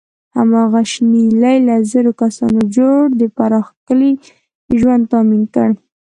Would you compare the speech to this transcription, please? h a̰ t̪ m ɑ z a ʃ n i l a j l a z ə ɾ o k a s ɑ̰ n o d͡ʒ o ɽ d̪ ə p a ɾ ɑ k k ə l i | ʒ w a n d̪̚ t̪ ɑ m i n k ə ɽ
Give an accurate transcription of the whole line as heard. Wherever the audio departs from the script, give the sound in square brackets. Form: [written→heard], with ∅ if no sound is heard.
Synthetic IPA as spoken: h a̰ [t̪→∅] m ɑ [z→ɣ] a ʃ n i l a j l a z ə ɾ o k a s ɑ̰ n o d͡ʒ o ɽ d̪ ə p a ɾ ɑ [k→x] k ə l i | ʒ w a n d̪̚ t̪ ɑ m i n k ə ɽ